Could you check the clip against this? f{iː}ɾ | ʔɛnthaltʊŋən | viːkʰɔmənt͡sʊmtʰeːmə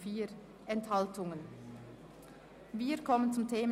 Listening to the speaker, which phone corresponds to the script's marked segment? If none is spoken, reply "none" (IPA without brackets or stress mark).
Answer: iː